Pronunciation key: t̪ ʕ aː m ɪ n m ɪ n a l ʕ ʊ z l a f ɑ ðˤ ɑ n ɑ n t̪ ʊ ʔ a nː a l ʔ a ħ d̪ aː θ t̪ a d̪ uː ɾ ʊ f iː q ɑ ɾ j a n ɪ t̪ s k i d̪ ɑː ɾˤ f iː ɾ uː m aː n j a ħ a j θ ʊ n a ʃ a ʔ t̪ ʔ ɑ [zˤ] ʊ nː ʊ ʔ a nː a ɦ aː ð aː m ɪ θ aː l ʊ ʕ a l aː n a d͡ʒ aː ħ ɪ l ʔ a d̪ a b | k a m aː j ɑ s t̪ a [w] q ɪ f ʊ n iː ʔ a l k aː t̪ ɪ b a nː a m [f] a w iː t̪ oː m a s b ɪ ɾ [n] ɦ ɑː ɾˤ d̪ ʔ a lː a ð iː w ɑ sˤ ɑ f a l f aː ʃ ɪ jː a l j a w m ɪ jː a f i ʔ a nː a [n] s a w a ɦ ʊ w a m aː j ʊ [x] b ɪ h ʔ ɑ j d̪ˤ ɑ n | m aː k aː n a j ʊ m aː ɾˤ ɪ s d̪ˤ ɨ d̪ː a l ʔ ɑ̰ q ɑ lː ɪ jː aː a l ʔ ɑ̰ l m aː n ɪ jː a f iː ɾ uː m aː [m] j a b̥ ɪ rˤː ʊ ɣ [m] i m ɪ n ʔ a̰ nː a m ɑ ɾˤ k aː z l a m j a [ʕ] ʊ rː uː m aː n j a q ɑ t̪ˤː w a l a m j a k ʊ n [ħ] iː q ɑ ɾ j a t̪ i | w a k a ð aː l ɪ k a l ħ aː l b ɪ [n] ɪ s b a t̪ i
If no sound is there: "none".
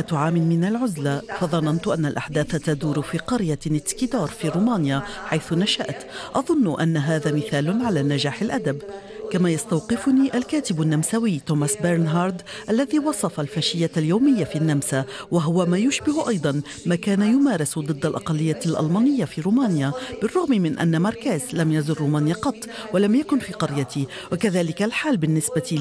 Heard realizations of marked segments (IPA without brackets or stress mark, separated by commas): ðˤ, w, s, n, m, ʃ, n, m, z, f, nː